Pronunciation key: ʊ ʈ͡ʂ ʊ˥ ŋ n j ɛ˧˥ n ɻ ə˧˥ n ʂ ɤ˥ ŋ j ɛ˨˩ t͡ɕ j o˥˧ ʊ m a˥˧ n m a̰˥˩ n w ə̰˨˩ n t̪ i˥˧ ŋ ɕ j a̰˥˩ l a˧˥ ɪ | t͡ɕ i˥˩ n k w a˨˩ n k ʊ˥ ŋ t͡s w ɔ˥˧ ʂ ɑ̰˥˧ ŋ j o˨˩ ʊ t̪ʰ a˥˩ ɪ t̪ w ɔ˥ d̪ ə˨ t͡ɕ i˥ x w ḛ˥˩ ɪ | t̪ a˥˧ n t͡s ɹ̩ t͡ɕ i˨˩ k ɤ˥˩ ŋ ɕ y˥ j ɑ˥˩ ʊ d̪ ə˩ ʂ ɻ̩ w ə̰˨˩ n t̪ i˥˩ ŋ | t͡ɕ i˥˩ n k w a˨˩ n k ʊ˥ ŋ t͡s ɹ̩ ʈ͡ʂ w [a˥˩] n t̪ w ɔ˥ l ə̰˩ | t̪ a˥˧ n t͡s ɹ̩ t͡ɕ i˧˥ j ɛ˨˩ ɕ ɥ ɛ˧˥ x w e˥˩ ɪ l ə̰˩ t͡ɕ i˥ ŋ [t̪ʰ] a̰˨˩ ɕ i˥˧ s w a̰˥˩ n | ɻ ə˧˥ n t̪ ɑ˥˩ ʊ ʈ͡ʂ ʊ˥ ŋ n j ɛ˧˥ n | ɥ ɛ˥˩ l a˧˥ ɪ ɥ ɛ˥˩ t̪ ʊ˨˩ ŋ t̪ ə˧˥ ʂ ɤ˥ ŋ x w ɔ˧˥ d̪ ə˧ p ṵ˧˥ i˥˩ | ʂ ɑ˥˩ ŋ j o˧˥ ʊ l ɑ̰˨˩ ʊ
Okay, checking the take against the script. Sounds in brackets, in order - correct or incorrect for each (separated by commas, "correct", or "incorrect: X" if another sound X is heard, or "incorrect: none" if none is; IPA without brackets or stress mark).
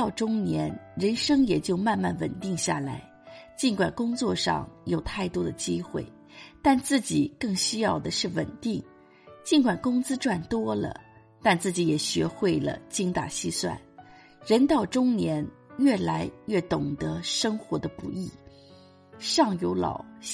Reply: correct, incorrect: t̪